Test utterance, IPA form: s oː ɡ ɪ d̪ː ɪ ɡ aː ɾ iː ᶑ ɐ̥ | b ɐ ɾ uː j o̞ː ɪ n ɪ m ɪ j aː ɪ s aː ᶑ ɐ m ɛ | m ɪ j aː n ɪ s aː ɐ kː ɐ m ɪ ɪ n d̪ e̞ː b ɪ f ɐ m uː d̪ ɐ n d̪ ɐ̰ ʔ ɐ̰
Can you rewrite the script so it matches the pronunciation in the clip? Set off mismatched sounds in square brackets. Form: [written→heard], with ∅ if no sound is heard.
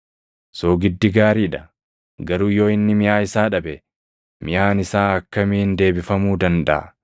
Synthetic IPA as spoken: s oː ɡ ɪ d̪ː ɪ ɡ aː ɾ iː ᶑ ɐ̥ | [b→ɡ] ɐ ɾ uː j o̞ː ɪ [n→nː] ɪ m ɪ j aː ɪ s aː ᶑ ɐ [m→b] ɛ | m ɪ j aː n ɪ s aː ɐ kː ɐ m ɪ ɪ n d̪ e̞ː b ɪ f ɐ m uː d̪ ɐ n d̪ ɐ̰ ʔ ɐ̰